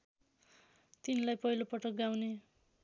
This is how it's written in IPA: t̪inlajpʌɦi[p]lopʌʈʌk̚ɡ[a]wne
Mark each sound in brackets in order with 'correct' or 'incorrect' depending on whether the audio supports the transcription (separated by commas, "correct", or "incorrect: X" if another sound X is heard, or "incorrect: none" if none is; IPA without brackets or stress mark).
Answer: incorrect: none, correct